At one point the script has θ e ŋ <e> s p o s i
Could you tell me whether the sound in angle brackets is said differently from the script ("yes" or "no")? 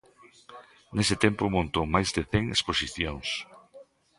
no